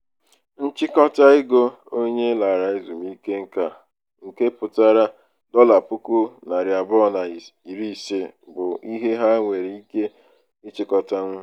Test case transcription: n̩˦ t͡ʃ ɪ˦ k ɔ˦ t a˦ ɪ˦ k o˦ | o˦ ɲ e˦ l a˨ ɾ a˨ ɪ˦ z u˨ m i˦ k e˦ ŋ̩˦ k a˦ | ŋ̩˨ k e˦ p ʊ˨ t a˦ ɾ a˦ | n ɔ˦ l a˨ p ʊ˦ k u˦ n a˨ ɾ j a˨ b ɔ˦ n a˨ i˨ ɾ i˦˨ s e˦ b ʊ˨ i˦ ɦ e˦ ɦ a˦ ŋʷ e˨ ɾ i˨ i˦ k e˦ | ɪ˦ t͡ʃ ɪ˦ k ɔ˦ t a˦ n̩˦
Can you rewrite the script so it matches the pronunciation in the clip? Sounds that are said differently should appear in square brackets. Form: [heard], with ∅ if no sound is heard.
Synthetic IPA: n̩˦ t͡ʃ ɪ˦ k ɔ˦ t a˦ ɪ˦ [ɡ] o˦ | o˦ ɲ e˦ l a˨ ɾ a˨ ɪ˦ z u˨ m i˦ k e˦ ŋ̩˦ k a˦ | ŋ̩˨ k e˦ p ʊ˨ t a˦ ɾ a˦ | [d] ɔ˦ l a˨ p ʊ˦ k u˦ n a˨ ɾ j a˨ b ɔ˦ n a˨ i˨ ɾ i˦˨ s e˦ b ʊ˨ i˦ ɦ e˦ ɦ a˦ ŋʷ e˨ ɾ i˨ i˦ k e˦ | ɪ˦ t͡ʃ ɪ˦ k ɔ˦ t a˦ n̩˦